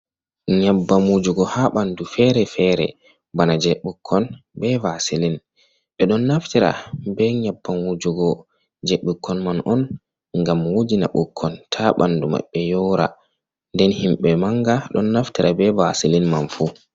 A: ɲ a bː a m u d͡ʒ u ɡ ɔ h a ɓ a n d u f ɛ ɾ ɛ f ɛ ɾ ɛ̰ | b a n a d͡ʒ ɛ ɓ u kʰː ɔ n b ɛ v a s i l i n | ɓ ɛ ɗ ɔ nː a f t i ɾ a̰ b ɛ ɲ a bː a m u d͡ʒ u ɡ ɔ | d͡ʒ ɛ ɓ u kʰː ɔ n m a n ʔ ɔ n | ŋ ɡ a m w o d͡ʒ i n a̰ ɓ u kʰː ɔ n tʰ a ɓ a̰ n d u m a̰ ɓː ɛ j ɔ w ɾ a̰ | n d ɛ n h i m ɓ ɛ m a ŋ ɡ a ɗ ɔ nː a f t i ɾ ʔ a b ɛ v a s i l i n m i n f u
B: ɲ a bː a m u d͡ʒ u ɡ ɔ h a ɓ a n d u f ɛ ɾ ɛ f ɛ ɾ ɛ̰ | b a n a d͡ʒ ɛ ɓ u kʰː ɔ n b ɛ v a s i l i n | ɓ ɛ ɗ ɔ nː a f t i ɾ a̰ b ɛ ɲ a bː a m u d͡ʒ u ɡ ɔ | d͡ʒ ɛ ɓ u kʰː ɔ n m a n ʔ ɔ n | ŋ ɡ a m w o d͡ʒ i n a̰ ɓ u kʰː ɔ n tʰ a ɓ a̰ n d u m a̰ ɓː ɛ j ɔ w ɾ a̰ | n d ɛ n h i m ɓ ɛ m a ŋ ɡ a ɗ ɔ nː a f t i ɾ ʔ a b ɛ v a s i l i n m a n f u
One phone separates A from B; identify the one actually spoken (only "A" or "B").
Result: B